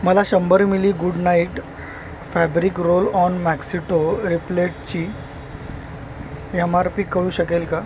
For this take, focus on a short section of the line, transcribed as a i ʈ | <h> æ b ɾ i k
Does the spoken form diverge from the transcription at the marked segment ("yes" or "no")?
yes